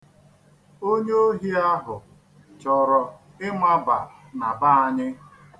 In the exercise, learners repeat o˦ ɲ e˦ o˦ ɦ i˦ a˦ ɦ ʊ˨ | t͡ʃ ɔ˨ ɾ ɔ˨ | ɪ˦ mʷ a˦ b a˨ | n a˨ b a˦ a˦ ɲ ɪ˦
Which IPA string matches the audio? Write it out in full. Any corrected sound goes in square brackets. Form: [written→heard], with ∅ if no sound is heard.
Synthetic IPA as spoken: o˦ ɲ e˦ o˦ ɦ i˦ a˦ ɦ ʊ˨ | t͡ʃ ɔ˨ ɾ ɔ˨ | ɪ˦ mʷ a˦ b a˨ | n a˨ b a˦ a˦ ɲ ɪ˦

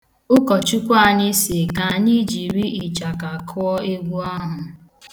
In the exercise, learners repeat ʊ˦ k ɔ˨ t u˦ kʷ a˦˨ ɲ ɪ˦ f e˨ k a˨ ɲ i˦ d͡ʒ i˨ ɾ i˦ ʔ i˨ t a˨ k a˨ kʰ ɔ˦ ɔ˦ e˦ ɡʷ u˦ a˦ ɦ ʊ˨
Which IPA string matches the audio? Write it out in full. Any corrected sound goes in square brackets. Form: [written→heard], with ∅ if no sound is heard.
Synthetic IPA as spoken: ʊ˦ k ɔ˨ [t→t͡ʃ] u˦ kʷ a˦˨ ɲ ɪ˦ [f→s] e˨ k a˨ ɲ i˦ d͡ʒ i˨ ɾ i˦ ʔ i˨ [t→t͡ʃ] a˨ k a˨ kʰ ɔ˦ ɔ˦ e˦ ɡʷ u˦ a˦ ɦ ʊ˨

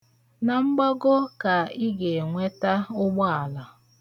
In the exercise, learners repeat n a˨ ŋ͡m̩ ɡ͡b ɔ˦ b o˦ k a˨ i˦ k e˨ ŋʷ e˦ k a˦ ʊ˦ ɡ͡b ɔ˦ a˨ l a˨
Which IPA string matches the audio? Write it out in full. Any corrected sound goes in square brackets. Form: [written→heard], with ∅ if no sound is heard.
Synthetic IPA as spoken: n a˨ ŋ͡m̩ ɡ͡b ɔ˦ [b→ɡ] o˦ k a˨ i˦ [k→ɡ] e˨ ŋʷ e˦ [k→t] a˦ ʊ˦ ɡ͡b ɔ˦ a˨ l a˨

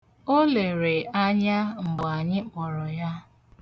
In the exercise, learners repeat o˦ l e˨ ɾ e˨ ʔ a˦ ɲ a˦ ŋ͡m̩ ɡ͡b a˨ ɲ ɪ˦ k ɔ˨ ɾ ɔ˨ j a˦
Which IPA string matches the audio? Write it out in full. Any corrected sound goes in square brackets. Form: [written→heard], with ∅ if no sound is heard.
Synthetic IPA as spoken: o˦ l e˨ ɾ e˨ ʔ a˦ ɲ a˦ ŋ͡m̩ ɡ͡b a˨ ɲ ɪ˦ [k→k͡p] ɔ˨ ɾ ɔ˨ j a˦

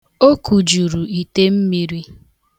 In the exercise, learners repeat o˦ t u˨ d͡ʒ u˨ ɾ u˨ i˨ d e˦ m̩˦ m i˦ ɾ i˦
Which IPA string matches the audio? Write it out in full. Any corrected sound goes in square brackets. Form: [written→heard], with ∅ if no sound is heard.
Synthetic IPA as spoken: o˦ [t→k] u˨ d͡ʒ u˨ ɾ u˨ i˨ [d→t] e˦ m̩˦ m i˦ ɾ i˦

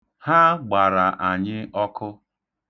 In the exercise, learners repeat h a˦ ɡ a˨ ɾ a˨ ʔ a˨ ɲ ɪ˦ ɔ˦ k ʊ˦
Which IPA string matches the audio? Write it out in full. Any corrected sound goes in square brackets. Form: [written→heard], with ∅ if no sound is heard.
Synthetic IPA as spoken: h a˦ [ɡ→ɡ͡b] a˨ ɾ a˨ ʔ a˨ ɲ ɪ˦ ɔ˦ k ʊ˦

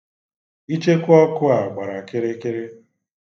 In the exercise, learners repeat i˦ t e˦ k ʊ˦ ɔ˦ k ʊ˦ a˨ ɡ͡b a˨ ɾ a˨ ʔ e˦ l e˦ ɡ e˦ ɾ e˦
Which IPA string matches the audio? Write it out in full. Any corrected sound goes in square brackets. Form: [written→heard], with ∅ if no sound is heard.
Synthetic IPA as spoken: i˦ [t→t͡ʃ] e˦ k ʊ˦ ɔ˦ k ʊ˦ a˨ ɡ͡b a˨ ɾ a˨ [ʔ→k] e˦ [l→ɾ] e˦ [ɡ→k] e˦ ɾ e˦

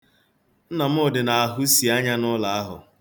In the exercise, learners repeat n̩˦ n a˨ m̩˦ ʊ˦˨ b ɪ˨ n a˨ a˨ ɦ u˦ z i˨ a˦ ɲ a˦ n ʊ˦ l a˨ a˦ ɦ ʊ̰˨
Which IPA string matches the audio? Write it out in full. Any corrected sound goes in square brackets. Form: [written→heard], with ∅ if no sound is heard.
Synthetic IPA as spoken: n̩˦ n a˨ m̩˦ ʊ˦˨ [b→d] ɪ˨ n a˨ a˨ ɦ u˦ [z→s] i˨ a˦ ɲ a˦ n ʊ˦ l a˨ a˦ ɦ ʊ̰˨

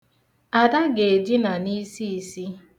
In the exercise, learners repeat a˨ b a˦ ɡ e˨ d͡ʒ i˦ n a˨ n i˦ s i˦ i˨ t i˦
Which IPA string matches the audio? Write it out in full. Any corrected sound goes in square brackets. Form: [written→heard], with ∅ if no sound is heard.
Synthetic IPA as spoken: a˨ [b→d] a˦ ɡ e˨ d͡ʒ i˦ n a˨ n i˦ s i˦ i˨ [t→s] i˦

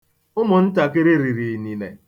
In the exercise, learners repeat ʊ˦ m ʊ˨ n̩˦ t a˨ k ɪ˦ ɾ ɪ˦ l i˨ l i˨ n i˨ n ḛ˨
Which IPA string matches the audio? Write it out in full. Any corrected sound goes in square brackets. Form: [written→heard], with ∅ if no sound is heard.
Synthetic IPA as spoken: ʊ˦ m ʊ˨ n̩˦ t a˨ k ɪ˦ ɾ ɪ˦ [l→ɾ] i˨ [l→ɾ] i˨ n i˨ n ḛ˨

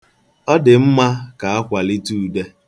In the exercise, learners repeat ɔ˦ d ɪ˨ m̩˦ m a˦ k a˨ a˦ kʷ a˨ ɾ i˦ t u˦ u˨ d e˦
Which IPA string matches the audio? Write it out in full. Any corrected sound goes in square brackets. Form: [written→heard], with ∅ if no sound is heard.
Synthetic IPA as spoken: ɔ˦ d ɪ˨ m̩˦ m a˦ k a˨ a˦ kʷ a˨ [ɾ→l] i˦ t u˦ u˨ d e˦

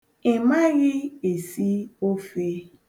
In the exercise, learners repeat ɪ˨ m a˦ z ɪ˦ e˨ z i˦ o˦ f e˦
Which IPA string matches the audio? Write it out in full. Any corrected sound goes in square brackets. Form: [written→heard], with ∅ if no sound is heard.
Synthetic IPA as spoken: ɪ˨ m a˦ [z→ɣ] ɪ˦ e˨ [z→s] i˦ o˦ f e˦

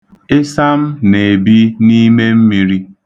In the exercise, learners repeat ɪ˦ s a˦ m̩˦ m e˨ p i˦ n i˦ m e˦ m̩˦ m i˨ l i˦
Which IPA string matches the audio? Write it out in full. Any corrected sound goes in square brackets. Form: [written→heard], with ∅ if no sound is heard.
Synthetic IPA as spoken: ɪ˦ s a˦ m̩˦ [m→n] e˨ [p→b] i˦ n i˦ m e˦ m̩˦ m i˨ [l→ɾ] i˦

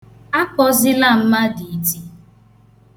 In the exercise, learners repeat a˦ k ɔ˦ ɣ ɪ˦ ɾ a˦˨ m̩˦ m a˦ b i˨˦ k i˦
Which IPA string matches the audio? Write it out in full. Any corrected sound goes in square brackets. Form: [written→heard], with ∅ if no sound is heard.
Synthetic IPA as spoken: a˦ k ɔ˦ [ɣ→z] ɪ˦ [ɾ→l] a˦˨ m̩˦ m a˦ [b→d] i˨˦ [k→t] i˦

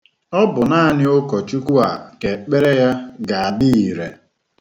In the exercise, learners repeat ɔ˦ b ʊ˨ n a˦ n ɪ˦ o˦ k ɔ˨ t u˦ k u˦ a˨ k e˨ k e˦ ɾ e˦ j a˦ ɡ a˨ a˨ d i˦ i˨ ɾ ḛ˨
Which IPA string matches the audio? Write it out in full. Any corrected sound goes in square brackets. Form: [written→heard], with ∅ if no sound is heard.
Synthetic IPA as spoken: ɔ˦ b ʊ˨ n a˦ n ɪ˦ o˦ k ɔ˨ [t→t͡ʃ] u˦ k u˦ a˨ k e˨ [k→k͡p] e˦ ɾ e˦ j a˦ ɡ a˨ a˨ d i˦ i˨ ɾ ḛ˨

